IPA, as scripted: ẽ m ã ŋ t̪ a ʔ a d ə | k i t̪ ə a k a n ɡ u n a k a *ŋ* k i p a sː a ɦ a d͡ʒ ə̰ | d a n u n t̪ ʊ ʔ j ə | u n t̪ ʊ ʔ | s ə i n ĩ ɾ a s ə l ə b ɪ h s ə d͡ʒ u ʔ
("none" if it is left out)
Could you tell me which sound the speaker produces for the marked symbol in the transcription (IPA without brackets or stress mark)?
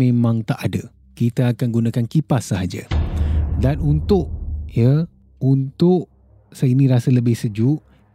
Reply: n